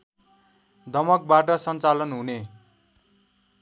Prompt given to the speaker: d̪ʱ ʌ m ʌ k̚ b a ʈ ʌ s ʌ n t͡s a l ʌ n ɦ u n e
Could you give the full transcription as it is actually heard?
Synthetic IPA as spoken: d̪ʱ ʌ m ʌ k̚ b a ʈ ʌ s ʌ n t͡s a l ʌ n ɦ u n e